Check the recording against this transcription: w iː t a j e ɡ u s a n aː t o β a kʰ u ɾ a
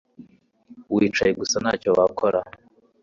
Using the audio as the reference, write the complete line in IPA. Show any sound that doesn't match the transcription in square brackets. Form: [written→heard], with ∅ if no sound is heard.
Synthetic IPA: w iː [t→t͡ʃ] a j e ɡ u s a n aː [t→c] o [β→w] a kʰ [u→o] ɾ a